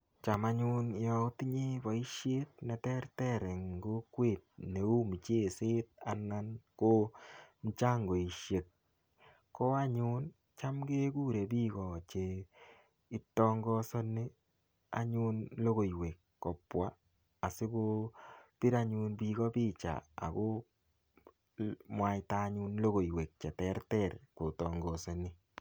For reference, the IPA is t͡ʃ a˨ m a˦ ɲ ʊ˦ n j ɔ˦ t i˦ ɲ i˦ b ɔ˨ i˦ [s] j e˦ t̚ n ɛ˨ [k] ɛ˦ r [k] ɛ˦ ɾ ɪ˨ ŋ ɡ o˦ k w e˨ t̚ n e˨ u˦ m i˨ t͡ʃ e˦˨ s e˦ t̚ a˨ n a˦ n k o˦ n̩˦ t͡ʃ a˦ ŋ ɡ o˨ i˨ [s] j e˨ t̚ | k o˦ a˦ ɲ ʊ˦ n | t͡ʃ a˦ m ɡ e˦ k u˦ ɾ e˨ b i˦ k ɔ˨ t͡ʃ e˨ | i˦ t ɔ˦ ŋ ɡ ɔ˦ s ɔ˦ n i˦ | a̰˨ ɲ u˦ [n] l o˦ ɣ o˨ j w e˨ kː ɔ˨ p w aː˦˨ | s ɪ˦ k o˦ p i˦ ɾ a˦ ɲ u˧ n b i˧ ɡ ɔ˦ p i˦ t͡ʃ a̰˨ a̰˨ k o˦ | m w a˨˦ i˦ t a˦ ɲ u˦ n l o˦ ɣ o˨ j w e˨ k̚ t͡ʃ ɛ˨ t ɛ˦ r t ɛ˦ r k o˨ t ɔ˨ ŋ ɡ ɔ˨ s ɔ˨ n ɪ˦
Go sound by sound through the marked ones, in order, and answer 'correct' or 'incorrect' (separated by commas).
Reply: incorrect, incorrect, incorrect, incorrect, correct